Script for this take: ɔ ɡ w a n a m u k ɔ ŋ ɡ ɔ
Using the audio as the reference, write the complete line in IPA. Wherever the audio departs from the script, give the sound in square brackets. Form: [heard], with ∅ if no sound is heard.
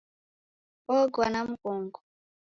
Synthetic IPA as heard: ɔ ɡ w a n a m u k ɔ ŋ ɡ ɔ